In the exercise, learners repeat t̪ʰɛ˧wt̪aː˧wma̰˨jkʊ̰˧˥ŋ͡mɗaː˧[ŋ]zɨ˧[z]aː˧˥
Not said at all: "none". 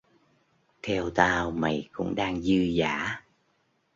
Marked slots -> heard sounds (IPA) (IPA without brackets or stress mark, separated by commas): ŋ, z